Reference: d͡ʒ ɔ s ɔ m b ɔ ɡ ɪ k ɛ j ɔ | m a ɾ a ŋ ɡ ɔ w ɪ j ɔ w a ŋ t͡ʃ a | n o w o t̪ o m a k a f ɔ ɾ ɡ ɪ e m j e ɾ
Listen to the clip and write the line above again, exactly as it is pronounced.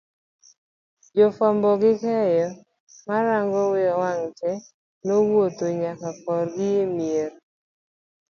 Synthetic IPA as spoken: d͡ʒ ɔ f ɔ m b ɔ ɡ ɪ k ɛ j ɔ | m a ɾ a ŋ ɡ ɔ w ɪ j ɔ w a ŋ t͡ʃ ɛ | n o w o t̪ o ɲ a k a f ɔ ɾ ɡ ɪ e m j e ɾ